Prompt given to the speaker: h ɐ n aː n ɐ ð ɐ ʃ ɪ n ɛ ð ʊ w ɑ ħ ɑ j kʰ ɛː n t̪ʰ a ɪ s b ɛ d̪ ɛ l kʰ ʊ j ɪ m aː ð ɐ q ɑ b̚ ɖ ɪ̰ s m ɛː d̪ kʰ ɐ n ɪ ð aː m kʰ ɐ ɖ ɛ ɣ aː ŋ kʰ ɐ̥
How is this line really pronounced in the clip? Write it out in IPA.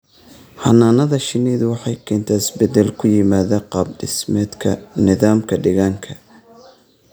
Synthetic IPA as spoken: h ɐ n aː n ɐ ð ɐ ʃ ɪ n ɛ ð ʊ w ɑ ħ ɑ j kʰ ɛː n t̪ʰ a ɪ s b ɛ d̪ ɛ l kʰ ʊ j ɪ m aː ð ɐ q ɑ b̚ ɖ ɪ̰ s m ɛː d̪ kʰ ɐ n ɪ ð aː m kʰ ɐ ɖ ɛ ɣ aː ŋ kʰ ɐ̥